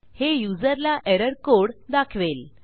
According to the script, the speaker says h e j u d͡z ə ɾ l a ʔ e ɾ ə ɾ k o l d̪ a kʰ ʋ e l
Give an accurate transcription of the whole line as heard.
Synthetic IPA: h e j u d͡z ə ɾ l a ʔ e ɾ ə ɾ k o ɽ d̪ a kʰ ʋ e l